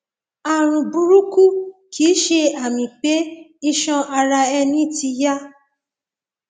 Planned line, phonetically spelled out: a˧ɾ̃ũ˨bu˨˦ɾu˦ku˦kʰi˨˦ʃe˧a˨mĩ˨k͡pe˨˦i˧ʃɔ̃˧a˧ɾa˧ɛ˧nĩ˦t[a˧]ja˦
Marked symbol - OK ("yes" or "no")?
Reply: no